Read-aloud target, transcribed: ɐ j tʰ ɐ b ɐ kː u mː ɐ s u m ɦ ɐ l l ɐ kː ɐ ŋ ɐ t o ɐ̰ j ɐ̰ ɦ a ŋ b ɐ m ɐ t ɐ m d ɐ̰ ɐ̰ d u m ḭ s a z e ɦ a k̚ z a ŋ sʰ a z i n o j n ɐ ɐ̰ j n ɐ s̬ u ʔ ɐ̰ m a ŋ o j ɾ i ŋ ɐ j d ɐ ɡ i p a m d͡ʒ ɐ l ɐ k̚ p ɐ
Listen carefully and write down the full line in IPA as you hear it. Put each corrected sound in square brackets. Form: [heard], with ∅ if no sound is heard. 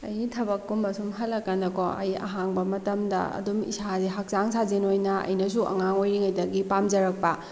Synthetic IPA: ɐ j tʰ ɐ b ɐ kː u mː ɐ s u m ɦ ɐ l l ɐ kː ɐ [n] ɐ [k] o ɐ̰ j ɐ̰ ɦ a ŋ b ɐ m ɐ t ɐ m d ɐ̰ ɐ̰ d u m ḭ s a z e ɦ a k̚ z a ŋ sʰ a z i n o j n ɐ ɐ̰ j n ɐ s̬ u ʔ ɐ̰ [ŋ] a ŋ o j ɾ i ŋ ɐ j d ɐ ɡ i p a m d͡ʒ ɐ [ɾ] ɐ k̚ p ɐ